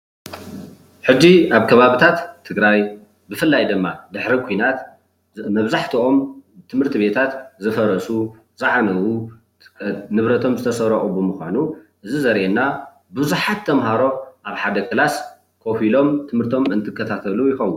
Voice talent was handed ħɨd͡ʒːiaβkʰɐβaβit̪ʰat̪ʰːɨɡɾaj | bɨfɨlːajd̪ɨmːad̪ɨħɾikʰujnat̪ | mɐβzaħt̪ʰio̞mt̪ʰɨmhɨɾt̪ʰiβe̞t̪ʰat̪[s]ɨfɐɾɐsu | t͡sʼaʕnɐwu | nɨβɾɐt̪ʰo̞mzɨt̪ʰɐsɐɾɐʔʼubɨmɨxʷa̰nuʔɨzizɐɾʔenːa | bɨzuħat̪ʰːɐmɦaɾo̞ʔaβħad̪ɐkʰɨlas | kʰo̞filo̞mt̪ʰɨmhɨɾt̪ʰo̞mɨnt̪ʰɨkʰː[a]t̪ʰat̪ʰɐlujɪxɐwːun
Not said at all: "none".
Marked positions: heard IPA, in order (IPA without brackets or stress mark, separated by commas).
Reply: z, ɐ